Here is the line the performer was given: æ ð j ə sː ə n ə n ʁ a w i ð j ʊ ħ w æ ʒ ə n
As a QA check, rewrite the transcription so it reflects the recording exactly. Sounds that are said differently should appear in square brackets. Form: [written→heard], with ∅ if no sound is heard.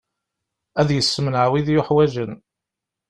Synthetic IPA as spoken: æ ð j ə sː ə [n→m] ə n [ʁ→ʕ] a w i ð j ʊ ħ w æ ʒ ə n